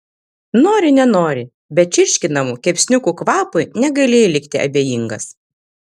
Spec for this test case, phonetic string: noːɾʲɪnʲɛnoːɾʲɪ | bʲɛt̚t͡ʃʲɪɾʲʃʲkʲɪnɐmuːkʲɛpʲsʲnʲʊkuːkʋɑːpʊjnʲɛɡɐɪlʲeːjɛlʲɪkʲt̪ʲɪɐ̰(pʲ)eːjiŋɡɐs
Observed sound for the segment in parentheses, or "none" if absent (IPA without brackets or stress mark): bʲ